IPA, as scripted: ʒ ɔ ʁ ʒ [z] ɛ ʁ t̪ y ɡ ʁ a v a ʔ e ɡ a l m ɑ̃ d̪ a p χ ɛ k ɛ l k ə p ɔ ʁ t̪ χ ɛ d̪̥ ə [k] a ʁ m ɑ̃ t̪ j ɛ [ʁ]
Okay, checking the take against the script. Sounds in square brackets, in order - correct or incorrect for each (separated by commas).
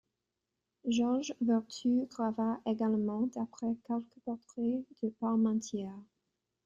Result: incorrect, incorrect, correct